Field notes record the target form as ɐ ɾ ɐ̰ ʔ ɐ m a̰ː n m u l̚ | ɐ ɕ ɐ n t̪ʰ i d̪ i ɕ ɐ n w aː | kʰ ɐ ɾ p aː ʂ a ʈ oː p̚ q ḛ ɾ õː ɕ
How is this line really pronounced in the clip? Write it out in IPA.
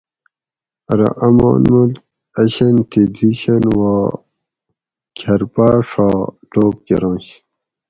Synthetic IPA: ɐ ɾ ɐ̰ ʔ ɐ m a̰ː n m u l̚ | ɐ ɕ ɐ n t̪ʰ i d̪ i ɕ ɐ n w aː | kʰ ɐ ɾ p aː ʂ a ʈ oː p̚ k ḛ ɾ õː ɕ